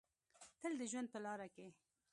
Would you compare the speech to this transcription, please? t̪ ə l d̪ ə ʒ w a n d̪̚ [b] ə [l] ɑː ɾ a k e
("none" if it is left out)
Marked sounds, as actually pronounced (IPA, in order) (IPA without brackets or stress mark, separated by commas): p, l